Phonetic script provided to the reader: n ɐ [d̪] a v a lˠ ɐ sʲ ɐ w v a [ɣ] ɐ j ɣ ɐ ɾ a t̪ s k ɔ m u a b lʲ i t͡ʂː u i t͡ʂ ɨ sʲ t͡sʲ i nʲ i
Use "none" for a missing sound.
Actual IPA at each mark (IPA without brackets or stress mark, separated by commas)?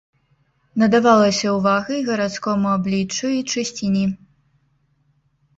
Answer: d̪, ɣ